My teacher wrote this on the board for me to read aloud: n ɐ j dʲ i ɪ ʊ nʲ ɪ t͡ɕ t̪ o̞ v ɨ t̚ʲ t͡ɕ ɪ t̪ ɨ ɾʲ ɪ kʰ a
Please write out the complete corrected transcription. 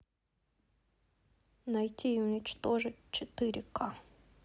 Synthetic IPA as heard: n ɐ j tʲ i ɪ ʊ nʲ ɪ t͡ɕ t̪ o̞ ʐ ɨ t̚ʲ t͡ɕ ɪ t̪ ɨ ɾʲ ɪ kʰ a